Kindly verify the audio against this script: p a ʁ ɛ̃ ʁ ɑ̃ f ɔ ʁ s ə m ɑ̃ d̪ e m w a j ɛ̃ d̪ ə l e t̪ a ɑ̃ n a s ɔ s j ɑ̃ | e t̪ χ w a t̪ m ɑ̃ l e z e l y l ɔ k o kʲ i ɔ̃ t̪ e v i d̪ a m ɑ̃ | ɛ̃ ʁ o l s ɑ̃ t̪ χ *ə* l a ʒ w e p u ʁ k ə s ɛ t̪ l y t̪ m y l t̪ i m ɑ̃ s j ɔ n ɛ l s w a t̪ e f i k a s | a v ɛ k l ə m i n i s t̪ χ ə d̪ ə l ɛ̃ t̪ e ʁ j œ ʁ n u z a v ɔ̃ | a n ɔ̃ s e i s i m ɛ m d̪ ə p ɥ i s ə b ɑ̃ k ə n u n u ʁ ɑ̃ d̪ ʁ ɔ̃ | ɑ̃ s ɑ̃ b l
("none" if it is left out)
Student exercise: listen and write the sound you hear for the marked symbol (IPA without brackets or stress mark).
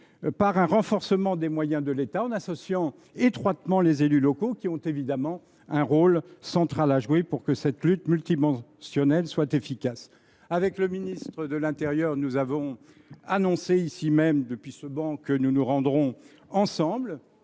a